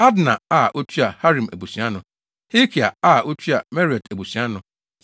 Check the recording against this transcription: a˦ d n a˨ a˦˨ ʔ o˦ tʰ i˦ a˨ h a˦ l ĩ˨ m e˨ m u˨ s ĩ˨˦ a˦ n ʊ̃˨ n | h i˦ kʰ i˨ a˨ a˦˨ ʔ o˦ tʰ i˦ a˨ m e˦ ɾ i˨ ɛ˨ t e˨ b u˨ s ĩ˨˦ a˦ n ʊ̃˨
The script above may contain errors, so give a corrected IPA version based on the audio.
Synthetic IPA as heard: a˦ d n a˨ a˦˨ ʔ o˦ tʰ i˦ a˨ h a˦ ɾ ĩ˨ m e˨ b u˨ s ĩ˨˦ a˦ n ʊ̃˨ | h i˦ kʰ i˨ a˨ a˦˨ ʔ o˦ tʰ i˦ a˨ m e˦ ɾ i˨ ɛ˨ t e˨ b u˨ s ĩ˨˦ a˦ n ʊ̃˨